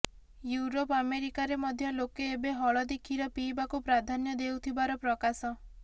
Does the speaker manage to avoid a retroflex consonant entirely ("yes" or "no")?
no